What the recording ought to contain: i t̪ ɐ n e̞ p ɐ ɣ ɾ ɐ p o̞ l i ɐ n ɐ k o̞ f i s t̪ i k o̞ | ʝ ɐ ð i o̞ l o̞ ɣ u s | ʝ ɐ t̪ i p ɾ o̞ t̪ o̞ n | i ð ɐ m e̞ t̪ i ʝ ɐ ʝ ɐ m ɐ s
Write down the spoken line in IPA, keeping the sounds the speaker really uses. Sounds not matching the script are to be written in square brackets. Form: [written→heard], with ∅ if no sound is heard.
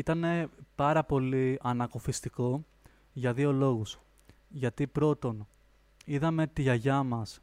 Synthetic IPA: i t̪ ɐ n e̞ p ɐ [ɣ→∅] ɾ ɐ p o̞ l i ɐ n ɐ k o̞ f i s t̪ i k o̞ | ʝ ɐ ð i o̞ l o̞ ɣ u s | ʝ ɐ t̪ i p ɾ o̞ t̪ o̞ n | i ð ɐ m e̞ t̪ i ʝ ɐ ʝ ɐ m ɐ s